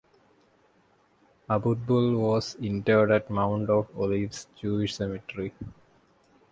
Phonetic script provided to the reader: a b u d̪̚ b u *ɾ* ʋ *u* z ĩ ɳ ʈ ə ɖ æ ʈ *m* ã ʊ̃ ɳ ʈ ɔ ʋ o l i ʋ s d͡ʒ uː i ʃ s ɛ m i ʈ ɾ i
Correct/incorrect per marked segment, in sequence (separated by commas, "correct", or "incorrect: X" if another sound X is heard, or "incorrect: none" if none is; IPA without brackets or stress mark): incorrect: l, incorrect: ɔ, correct